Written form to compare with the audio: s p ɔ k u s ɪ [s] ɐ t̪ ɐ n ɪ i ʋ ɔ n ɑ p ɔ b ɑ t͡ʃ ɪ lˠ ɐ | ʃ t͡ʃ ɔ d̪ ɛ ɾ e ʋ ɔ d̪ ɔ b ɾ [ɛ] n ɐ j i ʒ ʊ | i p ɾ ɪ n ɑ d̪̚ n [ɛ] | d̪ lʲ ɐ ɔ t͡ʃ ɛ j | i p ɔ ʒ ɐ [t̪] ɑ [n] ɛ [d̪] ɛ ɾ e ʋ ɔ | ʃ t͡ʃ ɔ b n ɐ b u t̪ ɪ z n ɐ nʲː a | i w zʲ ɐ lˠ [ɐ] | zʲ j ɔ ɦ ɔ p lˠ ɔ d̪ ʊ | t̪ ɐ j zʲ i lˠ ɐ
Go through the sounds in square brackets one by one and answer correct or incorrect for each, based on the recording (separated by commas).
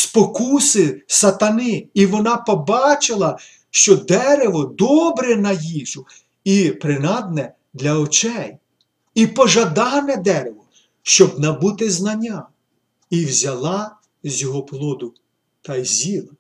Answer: correct, correct, correct, incorrect, correct, correct, incorrect